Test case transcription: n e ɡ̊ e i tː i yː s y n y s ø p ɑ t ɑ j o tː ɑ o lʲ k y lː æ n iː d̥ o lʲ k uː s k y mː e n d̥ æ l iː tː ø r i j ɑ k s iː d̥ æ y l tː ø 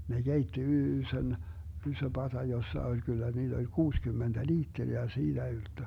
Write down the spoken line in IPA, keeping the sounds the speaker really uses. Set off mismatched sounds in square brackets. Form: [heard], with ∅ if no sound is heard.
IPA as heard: n e ɡ̊ e i tː i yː s [ø] n y s ø p ɑ t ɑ j o [sː] ɑ o lʲ k y lː æ n iː d̥ o lʲ k uː s k y mː e n d̥ æ l iː tː [e] r i j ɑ [∅] s iː d̥ æ y l tː ø